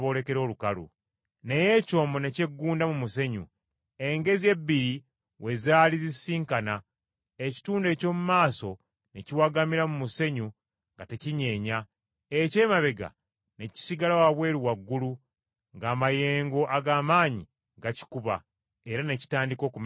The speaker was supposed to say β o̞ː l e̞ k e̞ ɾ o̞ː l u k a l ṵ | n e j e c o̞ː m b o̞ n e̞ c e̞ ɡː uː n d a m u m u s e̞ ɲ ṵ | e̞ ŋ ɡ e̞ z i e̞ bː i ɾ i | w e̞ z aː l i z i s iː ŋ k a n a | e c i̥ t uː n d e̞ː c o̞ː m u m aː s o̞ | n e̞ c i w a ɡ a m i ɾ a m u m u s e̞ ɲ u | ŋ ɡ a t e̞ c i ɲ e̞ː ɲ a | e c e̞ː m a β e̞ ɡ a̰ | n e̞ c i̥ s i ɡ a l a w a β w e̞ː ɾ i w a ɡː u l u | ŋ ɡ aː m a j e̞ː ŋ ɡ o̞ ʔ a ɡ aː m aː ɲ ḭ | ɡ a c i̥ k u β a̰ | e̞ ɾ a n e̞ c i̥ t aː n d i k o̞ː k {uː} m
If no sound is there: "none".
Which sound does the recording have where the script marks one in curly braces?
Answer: u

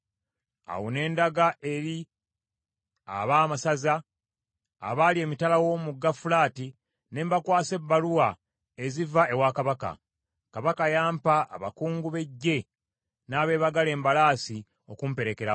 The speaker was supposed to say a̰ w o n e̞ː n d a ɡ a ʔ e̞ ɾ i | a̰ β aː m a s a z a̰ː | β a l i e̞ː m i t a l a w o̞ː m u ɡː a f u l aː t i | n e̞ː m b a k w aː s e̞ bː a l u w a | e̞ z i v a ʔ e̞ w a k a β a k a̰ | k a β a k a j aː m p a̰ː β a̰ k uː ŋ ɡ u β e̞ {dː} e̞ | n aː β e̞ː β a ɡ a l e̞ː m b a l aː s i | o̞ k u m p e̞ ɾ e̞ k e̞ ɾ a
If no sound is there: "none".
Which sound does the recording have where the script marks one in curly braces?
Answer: ɟː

